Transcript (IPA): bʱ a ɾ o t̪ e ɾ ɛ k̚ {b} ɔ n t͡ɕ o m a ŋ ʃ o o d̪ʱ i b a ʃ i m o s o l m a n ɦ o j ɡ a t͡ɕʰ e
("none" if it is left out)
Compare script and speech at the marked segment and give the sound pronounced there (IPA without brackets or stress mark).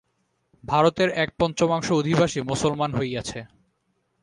p